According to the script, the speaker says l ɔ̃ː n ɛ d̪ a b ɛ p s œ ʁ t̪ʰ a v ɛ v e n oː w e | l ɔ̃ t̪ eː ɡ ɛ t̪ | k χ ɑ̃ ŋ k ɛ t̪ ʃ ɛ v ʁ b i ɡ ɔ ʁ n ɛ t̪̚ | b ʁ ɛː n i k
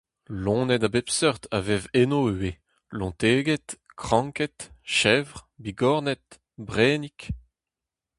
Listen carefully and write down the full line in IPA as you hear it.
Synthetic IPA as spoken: l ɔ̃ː n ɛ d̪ a b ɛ p s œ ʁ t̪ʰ a v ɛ v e n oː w e | l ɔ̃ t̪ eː ɡ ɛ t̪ | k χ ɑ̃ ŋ k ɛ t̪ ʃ ɛ v ʁ b i ɡ ɔ ʁ n ɛ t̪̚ | b ʁ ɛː n i k